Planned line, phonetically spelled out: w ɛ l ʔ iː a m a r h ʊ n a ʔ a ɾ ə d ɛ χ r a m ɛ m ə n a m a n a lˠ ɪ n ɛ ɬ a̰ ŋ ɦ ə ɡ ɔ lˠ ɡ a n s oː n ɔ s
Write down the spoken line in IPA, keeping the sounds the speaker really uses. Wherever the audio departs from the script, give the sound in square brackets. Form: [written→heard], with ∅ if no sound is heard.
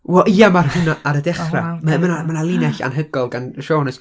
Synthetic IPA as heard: w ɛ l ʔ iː a m a r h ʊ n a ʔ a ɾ ə d ɛ χ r a m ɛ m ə n a m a n a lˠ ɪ n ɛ ɬ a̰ [ŋ→n] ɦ ə ɡ ɔ lˠ ɡ a n [s→ʃ] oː n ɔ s